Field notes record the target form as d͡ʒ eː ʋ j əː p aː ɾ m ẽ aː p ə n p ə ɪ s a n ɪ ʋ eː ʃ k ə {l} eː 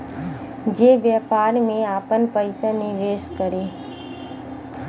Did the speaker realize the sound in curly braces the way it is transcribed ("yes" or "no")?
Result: no